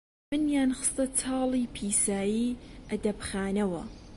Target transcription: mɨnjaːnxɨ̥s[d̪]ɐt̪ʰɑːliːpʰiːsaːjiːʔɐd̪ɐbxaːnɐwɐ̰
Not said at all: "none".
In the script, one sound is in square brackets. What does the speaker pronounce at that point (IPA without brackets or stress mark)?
t̪